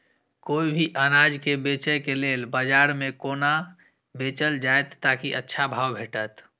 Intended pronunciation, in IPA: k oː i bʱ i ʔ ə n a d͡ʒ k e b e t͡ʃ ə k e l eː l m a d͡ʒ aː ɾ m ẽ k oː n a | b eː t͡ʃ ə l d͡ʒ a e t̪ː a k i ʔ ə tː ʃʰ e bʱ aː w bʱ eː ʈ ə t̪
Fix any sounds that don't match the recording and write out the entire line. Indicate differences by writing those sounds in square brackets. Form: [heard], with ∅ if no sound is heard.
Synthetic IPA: k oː i bʱ i ʔ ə n a d͡ʒ k e b e t͡ʃ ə k e l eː l [b] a d͡ʒ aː ɾ m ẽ k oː n a | b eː t͡ʃ ə l d͡ʒ a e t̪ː a k i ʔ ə tː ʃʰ [a] bʱ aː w bʱ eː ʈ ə t̪